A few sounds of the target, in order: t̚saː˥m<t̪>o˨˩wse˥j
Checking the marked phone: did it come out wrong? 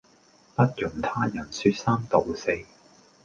no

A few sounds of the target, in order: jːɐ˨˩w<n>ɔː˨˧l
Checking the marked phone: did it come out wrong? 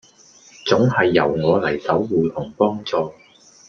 yes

